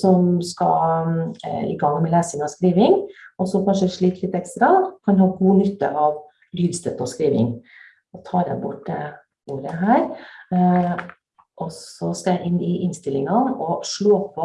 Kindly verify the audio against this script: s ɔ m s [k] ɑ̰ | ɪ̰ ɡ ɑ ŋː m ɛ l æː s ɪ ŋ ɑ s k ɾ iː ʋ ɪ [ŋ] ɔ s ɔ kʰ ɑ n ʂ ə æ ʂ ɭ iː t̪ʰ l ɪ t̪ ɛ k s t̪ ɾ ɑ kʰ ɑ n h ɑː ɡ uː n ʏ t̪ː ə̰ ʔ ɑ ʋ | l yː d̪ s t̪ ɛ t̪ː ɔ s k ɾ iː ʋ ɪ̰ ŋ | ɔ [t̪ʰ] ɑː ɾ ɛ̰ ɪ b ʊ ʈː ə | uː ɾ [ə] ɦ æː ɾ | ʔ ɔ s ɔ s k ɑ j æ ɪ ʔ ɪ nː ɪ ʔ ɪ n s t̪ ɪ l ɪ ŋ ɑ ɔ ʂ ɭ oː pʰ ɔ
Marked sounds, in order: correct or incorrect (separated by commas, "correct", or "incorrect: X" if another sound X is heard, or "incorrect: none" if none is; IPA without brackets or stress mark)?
correct, correct, correct, correct